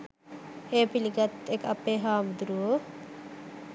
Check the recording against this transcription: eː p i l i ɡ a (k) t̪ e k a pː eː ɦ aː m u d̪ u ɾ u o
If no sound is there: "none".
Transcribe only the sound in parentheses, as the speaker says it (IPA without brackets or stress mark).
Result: none